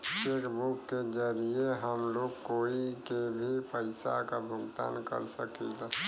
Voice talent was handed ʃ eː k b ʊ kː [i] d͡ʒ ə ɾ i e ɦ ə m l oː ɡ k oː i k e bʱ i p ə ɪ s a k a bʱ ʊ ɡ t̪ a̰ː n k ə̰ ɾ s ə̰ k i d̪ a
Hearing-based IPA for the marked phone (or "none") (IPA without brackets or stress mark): e